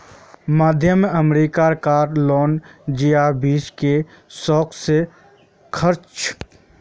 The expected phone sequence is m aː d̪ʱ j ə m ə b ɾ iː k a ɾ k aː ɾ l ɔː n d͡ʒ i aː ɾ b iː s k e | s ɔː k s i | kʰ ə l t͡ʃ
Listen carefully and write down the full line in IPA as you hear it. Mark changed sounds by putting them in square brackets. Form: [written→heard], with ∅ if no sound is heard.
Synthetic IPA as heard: m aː d̪ʱ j ə m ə [b→m] ɾ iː k a ɾ k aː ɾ l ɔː n d͡ʒ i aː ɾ b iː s k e | s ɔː k s [i→e] | kʰ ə [l→ɾ] t͡ʃ

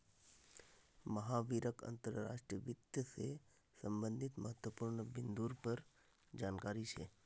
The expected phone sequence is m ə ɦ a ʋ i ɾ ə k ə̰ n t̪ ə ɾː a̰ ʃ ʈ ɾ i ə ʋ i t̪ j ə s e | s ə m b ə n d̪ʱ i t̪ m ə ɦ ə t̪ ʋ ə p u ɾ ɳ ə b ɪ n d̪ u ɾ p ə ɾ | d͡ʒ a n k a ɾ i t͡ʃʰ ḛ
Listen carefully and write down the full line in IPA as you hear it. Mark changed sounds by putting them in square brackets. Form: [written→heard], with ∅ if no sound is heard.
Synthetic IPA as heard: m ə ɦ a ʋ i ɾ ə k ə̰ n t̪ ə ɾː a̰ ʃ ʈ ɾ i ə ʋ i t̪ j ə s e | s ə m b ə n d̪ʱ i t̪ m ə ɦ ə t̪ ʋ ə p u ɾ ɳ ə b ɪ n d̪ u ɾ p ə ɾ | d͡ʒ a n k a ɾ i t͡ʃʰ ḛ

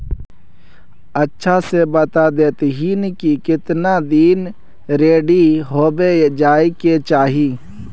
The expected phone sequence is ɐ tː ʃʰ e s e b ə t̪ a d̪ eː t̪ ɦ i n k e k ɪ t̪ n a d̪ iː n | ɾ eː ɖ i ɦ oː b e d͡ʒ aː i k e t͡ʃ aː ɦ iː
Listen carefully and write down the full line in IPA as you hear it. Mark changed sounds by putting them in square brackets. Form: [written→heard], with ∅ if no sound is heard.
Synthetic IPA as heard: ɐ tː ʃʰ [e→a] s e b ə t̪ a d̪ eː t̪ ɦ i n k [e→i] k ɪ t̪ n a d̪ iː n | ɾ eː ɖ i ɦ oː b e d͡ʒ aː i k e t͡ʃ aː ɦ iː

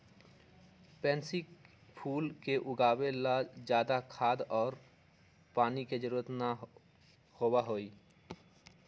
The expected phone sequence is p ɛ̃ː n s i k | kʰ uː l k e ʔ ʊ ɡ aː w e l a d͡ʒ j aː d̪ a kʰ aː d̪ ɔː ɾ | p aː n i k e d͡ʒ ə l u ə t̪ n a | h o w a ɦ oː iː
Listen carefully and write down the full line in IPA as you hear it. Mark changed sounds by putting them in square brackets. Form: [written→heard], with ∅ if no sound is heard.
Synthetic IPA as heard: p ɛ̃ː n s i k | [kʰ→pʰ] uː l k e ʔ ʊ ɡ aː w e l a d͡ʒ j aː d̪ a kʰ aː d̪ ɔː ɾ | p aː n i k e d͡ʒ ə [l→ɾ] u ə t̪ n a | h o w a ɦ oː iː

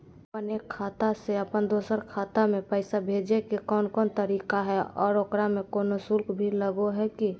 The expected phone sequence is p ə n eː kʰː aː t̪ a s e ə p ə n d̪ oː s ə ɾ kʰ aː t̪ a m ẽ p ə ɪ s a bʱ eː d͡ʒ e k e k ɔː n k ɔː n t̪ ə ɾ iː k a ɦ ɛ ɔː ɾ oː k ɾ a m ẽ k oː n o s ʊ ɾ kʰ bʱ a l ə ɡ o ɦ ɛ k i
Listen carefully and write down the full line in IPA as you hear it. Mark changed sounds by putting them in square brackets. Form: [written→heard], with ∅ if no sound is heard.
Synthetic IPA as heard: p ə n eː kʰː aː t̪ a s e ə p ə n d̪ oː s ə ɾ kʰ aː t̪ a m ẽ p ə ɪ s a bʱ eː d͡ʒ e k e k ɔː n k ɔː n t̪ ə ɾ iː k a ɦ ɛ ɔː ɾ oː k ɾ a m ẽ k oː n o s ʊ [ɾ→l] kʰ bʱ [a→i] l ə ɡ o ɦ ɛ k i

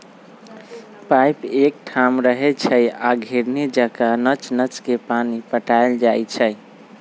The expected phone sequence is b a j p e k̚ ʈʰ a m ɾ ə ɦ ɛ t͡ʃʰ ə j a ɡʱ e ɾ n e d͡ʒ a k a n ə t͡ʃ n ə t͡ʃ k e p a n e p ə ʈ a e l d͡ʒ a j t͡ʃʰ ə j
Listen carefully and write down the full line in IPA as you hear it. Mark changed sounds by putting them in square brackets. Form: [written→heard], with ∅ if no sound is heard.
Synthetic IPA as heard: [b→p] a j p e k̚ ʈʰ a m ɾ ə ɦ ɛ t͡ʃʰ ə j a ɡʱ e ɾ n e d͡ʒ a k a n ə t͡ʃ n ə t͡ʃ k e p a n [e→i] p ə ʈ a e l d͡ʒ a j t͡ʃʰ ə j

